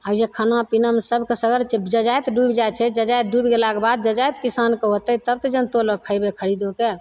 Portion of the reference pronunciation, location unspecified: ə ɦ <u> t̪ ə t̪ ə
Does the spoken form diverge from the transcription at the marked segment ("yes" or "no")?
yes